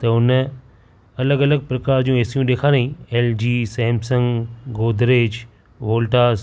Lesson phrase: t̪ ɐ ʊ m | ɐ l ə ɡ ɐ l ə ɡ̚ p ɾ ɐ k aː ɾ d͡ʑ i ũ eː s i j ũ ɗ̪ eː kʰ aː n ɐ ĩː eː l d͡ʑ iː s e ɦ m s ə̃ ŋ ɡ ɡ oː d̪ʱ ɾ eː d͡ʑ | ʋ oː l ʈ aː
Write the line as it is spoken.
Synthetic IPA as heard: t̪ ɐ ʊ n | ɐ l ə ɡ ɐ l ə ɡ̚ p ɾ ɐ k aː ɾ d͡ʑ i ũ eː s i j ũ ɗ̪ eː kʰ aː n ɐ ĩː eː l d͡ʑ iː s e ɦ m s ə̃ ŋ ɡ ɡ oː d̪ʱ ɾ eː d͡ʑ | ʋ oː l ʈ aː